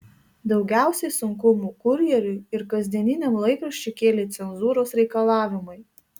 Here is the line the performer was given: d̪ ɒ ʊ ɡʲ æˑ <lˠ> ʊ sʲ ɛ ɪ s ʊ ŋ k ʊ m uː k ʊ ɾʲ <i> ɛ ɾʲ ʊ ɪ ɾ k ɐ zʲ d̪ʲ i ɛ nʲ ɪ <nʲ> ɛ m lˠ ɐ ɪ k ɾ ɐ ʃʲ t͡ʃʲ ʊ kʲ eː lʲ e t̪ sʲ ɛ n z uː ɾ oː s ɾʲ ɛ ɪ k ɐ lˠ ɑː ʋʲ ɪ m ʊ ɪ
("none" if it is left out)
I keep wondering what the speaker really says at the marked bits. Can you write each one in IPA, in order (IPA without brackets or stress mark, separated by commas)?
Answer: none, j, nʲ